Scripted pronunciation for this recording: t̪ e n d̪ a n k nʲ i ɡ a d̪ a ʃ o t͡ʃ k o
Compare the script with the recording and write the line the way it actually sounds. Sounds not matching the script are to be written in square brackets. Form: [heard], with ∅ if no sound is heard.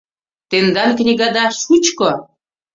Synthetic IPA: t̪ e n d̪ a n k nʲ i ɡ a d̪ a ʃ [u] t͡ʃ k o